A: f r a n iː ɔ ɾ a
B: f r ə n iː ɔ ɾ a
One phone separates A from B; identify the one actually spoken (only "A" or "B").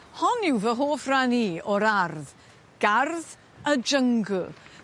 A